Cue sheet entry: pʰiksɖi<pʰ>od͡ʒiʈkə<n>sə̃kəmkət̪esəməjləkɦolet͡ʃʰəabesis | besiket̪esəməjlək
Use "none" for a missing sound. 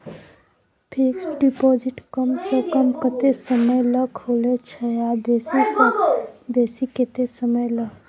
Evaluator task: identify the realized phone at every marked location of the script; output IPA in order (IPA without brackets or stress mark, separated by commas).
p, m